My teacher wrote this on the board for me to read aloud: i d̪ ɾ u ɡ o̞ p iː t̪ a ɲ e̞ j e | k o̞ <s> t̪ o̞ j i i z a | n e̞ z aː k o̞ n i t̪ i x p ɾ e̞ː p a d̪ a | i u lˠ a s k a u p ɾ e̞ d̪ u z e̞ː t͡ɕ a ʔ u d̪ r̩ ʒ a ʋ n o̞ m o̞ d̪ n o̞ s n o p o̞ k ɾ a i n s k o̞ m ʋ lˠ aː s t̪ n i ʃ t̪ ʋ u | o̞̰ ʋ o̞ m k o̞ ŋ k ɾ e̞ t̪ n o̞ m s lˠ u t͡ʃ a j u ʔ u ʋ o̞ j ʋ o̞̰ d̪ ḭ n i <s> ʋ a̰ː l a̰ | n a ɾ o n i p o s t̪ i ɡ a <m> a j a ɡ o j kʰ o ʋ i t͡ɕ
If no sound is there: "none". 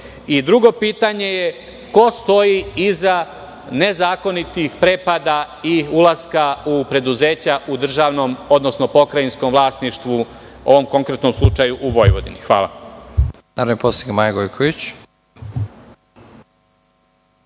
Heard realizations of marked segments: s, x, m

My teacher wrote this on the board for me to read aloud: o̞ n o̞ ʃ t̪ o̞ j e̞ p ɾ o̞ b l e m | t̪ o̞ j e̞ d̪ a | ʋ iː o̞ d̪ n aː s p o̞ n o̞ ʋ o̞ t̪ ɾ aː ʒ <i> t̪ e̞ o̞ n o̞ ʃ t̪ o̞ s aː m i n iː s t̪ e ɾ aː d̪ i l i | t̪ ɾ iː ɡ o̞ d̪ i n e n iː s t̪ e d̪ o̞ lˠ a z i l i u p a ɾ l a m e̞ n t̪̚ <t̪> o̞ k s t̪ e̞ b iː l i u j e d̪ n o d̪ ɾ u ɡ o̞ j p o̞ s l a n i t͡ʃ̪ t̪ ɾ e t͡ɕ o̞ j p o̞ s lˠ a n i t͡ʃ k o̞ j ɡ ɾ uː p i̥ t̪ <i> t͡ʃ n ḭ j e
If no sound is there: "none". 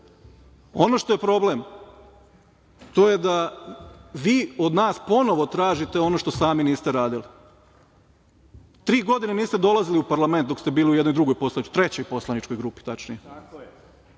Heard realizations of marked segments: i, d̪, a

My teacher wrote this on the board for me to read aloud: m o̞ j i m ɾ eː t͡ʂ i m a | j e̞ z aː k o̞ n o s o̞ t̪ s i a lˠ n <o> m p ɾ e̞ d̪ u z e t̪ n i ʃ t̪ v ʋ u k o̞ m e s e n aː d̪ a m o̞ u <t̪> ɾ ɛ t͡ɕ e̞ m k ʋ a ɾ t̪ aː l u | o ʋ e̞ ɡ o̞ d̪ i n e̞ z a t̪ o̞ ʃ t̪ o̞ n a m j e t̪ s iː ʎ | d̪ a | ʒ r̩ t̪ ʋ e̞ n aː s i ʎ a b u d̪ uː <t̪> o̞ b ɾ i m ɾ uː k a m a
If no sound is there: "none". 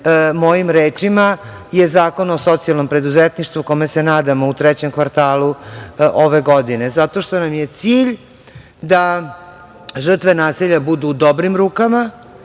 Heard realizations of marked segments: o, t̪, d̪

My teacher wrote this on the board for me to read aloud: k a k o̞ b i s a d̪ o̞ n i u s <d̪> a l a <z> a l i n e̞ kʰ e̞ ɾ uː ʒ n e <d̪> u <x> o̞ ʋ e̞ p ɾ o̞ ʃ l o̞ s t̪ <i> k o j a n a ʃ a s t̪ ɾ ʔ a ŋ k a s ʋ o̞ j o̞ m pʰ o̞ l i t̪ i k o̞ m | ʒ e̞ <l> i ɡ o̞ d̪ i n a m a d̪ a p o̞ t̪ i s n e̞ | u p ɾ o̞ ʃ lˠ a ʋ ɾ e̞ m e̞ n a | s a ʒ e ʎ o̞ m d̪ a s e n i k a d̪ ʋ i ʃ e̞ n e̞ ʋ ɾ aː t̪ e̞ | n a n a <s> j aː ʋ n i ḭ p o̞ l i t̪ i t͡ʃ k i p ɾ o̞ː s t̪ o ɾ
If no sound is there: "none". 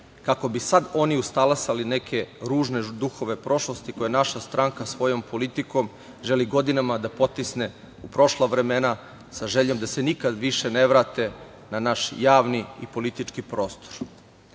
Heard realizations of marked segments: t̪, s, d̪, x, i, l, ʃ

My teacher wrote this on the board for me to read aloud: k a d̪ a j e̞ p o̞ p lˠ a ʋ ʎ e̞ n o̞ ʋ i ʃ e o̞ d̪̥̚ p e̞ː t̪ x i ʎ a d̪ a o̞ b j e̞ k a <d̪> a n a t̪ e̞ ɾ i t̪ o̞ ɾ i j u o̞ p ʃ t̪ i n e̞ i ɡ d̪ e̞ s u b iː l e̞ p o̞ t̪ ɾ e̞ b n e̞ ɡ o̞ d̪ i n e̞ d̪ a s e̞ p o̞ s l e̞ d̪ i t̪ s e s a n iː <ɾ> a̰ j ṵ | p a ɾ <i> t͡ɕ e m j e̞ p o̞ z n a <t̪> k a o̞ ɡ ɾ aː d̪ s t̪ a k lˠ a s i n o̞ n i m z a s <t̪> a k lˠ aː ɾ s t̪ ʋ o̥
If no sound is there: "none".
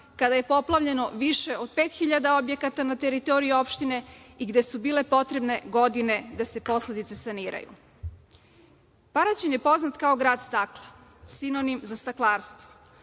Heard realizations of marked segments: t̪, ɾ, a, t̪, t̪

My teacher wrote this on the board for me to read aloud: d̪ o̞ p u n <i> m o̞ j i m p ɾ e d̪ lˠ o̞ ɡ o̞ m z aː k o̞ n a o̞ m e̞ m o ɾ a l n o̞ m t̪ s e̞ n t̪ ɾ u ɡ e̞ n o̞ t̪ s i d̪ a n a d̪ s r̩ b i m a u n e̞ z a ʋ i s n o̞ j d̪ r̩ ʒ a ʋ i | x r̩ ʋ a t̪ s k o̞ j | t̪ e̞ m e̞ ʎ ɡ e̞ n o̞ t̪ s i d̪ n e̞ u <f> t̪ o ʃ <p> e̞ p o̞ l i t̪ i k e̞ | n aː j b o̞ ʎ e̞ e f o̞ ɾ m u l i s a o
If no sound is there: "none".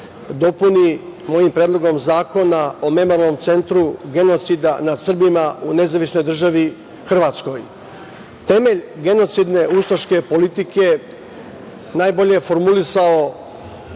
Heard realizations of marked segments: i, s, k

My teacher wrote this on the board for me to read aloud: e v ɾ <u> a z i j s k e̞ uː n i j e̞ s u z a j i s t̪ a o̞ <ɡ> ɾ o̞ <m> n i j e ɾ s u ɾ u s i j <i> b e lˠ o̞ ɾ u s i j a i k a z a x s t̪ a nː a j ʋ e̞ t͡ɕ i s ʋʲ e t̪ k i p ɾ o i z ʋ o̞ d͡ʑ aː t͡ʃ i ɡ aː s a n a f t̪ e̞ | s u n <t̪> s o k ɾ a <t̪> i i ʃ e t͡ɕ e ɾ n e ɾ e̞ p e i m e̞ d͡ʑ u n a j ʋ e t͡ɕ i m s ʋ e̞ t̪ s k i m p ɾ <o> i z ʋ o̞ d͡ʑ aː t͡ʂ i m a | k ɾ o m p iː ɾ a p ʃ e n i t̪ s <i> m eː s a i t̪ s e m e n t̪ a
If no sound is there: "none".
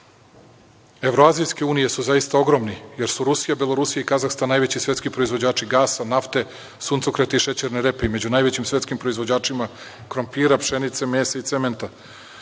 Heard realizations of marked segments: o, ɡ, m, a, t̪, t̪, o, e

